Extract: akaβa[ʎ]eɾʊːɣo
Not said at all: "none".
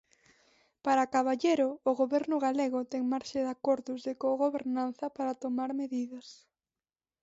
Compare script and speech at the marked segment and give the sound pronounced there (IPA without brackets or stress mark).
ʎ